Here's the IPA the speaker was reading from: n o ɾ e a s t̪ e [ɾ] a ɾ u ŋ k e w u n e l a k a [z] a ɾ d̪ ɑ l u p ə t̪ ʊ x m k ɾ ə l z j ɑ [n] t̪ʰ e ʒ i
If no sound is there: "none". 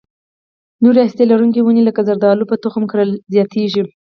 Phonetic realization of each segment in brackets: l, z, none

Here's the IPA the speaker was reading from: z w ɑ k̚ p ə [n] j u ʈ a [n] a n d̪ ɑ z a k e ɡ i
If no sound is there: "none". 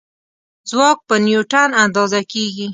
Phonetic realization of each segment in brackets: n, n

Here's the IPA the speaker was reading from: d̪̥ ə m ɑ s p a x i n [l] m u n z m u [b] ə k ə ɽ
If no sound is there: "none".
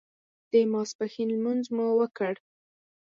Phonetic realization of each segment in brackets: l, w

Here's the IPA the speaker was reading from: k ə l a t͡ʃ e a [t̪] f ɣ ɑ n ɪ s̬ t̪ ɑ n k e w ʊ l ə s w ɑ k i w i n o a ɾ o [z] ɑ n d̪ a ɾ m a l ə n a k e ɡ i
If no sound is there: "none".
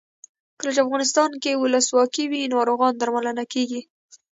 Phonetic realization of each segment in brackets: none, ɣ

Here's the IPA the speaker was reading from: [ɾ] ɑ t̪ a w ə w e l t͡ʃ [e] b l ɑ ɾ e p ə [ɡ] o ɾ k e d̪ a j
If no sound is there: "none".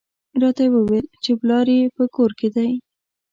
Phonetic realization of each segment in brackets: ɾ, e, k

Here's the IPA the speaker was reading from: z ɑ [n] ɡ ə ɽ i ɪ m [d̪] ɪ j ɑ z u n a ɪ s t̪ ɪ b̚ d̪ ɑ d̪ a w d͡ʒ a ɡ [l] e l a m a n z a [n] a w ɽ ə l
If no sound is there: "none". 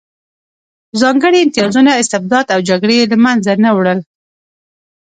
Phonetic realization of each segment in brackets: ŋ, t̪, ɽ, n

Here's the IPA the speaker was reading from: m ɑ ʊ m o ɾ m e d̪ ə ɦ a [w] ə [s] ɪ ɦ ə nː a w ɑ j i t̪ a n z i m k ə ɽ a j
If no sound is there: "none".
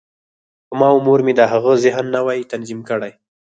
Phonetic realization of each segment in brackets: ɣ, z

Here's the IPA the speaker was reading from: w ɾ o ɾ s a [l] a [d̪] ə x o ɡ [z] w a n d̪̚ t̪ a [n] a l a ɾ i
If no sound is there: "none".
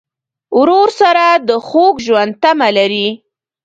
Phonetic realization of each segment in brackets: ɾ, d̪, ʒ, m

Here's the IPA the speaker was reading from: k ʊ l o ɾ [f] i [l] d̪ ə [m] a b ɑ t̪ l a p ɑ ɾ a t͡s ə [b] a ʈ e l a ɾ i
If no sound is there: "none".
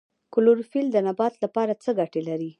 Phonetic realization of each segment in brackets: f, l, n, ɡ

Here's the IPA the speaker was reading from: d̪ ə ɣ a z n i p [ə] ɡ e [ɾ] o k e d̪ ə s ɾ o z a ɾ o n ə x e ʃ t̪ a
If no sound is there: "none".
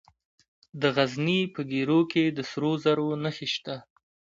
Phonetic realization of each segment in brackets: ə, ɾ

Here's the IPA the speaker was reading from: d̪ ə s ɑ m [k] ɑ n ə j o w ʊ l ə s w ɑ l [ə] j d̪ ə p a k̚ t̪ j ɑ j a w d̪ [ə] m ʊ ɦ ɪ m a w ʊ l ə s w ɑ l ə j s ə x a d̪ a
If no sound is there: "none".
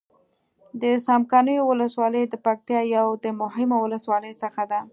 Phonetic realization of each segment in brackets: k, ə, ə

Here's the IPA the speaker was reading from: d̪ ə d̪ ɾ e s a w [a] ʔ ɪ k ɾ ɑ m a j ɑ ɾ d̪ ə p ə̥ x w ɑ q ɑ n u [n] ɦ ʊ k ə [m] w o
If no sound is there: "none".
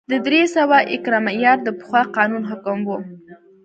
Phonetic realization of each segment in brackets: a, n, m

